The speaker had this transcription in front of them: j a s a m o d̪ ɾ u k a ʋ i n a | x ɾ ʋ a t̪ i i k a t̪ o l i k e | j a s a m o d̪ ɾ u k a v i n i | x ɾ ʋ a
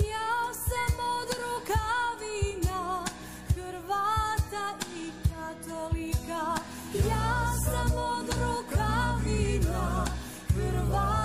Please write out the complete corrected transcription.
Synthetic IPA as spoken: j a s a m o d̪ ɾ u k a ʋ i n a | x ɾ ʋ a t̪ a i k a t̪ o l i k a | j a s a m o d̪ ɾ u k a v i n a | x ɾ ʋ a